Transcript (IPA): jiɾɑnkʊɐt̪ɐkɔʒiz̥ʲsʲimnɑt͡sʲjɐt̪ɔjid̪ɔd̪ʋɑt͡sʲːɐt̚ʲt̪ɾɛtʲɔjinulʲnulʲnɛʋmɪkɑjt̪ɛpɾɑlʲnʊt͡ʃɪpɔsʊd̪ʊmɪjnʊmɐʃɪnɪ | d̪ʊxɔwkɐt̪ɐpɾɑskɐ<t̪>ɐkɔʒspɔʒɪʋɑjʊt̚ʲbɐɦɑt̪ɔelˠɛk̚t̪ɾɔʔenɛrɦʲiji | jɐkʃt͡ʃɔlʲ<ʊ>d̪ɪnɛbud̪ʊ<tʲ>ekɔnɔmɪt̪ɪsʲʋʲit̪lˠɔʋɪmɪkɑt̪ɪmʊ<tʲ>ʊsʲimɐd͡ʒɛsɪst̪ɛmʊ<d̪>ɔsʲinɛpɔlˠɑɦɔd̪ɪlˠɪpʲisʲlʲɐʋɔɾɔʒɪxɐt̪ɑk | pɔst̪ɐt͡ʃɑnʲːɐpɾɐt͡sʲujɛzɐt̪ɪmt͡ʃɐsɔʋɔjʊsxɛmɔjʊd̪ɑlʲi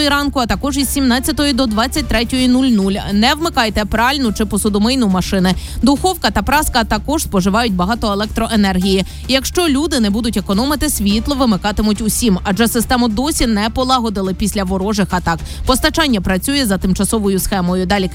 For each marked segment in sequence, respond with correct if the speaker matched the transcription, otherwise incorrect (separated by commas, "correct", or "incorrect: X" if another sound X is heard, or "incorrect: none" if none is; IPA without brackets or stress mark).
correct, incorrect: u, correct, correct, correct